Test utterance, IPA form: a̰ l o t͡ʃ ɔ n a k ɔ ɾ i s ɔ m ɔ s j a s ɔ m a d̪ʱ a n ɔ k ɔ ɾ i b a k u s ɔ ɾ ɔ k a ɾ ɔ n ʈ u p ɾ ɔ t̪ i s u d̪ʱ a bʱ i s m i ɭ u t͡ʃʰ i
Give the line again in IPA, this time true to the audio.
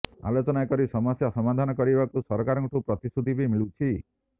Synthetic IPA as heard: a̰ l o t͡ʃ ɔ n a k ɔ ɾ i s ɔ m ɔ s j a s ɔ m a d̪ʱ a n ɔ k ɔ ɾ i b a k u s ɔ ɾ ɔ k a ɾ ɔ ŋ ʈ u p ɾ ɔ t̪ i s u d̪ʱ i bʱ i m i ɭ u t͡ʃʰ i

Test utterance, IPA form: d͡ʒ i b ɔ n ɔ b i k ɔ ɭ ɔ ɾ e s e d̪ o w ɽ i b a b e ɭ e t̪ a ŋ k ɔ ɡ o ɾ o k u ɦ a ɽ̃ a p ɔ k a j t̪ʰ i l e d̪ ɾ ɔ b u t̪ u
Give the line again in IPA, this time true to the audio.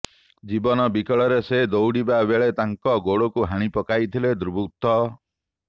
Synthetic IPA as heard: d͡ʒ i b ɔ n ɔ b i k ɔ ɭ ɔ ɾ e s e d̪ o w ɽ i b a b e ɭ e t̪ a ŋ k ɔ ɡ o ɽ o k u ɦ a ɽ̃ i p ɔ k a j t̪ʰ i l e d̪ ɾ u b u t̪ ɔ

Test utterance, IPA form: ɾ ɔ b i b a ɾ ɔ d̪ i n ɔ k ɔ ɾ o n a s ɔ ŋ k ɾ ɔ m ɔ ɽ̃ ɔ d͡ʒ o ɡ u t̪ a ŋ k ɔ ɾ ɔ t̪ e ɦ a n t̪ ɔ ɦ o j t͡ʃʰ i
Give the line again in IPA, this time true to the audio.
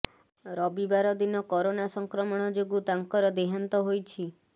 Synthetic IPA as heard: ɾ ɔ b i b a ɾ ɔ d̪ i n ɔ k ɔ ɾ o n a s ɔ ŋ k ɾ ɔ m ɔ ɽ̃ ɔ d͡ʒ o ɡ u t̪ a ŋ k ɔ ɾ ɔ d̪ e ɦ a n t̪ ɔ ɦ o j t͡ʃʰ i

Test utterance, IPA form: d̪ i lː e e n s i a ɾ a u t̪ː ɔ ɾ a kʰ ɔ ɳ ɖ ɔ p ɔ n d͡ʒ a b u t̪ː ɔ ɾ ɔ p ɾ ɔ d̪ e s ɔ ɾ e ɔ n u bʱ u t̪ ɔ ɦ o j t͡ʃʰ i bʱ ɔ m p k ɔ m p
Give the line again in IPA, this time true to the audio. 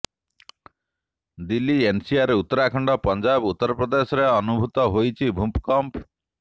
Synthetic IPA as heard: d̪ i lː i e n s i a ɾ e u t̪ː ɔ ɾ a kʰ ɔ ɳ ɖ ɔ p ɔ n d͡ʒ a b u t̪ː ɔ ɾ ɔ p ɾ ɔ d̪ e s ɔ ɾ e ɔ n u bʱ u t̪ ɔ ɦ o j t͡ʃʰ i bʱ u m p k ɔ m p

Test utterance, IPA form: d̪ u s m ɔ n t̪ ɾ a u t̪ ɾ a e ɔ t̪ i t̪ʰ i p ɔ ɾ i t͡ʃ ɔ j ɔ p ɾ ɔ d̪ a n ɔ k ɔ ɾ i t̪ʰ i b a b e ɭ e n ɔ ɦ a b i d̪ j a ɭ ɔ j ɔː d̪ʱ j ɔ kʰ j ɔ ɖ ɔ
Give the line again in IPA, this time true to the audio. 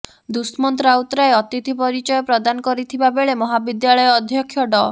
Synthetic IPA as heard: d̪ u s m ɔ n t̪ ɾ a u t̪ ɾ a e ɔ t̪ i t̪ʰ i p ɔ ɾ i t͡ʃ ɔ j ɔ p ɾ ɔ d̪ a n ɔ k ɔ ɾ i t̪ʰ i b a b e ɭ e m ɔ ɦ a b i d̪ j a ɭ ɔ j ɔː d̪ʱ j ɔ kʰ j ɔ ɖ ɔ

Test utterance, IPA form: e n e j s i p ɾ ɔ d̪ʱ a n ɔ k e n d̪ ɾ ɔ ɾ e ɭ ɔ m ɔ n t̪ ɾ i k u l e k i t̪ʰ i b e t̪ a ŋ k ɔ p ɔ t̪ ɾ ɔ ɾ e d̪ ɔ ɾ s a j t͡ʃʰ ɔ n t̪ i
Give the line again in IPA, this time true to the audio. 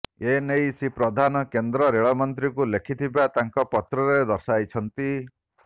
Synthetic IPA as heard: e n e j s i p ɾ ɔ d̪ʱ a n ɔ k e n d̪ ɾ ɔ ɾ e ɭ ɔ m ɔ n t̪ ɾ i k u l e kʰ i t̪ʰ i b a t̪ a ŋ k ɔ p ɔ t̪ ɾ ɔ ɾ e d̪ ɔ ɾ s a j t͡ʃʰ ɔ n t̪ i

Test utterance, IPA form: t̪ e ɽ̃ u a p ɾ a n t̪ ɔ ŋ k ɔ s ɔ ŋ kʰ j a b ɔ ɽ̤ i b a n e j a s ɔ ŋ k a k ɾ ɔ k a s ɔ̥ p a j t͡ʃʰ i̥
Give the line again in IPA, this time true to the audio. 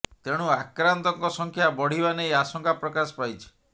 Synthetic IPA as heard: t̪ e ɽ̃ u a k ɾ a n t̪ ɔ ŋ k ɔ s ɔ ŋ kʰ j a b ɔ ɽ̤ i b a n e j a s ɔ ŋ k a p ɾ ɔ k a s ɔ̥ p a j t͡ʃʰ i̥

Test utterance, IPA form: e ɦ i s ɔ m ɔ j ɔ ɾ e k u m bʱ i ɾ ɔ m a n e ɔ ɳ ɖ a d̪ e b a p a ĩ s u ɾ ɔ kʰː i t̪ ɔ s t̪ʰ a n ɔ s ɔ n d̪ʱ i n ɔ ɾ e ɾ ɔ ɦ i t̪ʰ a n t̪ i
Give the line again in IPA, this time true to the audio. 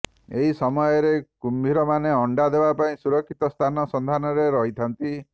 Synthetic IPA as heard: e ɦ i s ɔ m ɔ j ɔ ɾ e k u m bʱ i ɾ ɔ m a n e ɔ ɳ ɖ a d̪ e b a p a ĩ s u ɾ ɔ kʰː i t̪ ɔ s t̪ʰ a n ɔ s ɔ n d̪ʱ a n ɔ ɾ e ɾ ɔ ɦ i t̪ʰ a n t̪ i

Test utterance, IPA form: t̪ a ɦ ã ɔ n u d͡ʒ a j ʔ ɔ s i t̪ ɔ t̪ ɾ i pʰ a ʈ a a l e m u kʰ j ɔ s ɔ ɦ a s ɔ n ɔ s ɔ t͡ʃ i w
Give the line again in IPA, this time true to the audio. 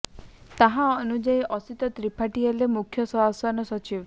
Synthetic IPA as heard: t̪ a ɦ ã ɔ n u d͡ʒ a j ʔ ɔ s i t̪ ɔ t̪ ɾ i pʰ a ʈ i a l e m u kʰ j ɔ s ɔ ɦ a s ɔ n ɔ s ɔ t͡ʃ i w

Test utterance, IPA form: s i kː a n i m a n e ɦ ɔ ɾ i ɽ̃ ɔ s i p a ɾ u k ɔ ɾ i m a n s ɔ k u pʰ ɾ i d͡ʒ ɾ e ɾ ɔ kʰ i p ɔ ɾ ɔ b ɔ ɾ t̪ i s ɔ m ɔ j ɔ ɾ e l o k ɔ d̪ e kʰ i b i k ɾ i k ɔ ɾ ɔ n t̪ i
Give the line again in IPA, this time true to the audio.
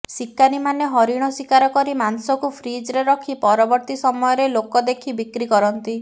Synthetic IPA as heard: s i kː a n i m a n e ɦ ɔ ɾ i ɽ̃ ɔ s i k a ɾ ɔ k ɔ ɾ i m a n s ɔ k u pʰ ɾ i d͡ʒ ɾ e ɾ ɔ kʰ i p ɔ ɾ ɔ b ɔ ɾ t̪ i s ɔ m ɔ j ɔ ɾ e l o k ɔ d̪ e kʰ i b i k ɾ i k ɔ ɾ ɔ n t̪ i

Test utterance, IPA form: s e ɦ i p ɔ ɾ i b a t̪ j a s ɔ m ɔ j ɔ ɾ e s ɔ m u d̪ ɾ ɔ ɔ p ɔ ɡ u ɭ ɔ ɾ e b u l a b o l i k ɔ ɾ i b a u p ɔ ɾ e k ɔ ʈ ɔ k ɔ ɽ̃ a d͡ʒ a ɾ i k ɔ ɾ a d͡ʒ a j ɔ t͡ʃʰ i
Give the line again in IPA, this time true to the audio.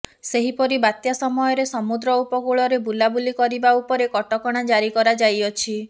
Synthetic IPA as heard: s e ɦ i p ɔ ɾ i b a t̪ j a s ɔ m ɔ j ɔ ɾ e s ɔ m u d̪ ɾ ɔ u p ɔ ɡ u ɭ ɔ ɾ e b u l a b u l i k ɔ ɾ i b a u p ɔ ɾ e k ɔ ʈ ɔ k ɔ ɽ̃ a d͡ʒ a ɾ i k ɔ ɾ a d͡ʒ a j ɔ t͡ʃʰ i

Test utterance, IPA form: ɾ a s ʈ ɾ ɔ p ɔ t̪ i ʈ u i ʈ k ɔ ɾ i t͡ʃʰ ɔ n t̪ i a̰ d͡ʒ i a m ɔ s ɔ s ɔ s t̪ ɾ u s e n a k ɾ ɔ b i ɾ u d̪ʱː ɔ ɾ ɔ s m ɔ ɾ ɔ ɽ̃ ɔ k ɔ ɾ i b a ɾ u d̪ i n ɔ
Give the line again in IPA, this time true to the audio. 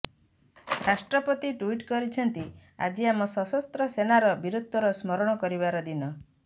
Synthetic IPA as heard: ɾ a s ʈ ɾ ɔ p ɔ t̪ i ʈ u i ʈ k ɔ ɾ i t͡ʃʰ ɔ n t̪ i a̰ d͡ʒ i a m ɔ s ɔ s ɔ s t̪ ɾ ɔ s e n a ɾ ɔ b i ɾ u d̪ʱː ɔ ɾ ɔ s m ɔ ɾ ɔ ɽ̃ ɔ k ɔ ɾ i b a ɾ ɔ d̪ i n ɔ

